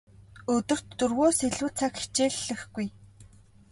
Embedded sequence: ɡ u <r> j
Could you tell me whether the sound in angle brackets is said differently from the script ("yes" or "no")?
yes